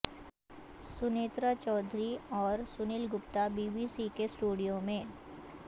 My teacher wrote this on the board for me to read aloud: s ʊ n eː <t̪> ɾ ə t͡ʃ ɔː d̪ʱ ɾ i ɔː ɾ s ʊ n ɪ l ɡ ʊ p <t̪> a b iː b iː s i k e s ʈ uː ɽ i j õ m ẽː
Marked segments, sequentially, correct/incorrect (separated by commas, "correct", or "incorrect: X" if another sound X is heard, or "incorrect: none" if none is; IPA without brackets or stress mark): correct, correct